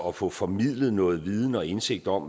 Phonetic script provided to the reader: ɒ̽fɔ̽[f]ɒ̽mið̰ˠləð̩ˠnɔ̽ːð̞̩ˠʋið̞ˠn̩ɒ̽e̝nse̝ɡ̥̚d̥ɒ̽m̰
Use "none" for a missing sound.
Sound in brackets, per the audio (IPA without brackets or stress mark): f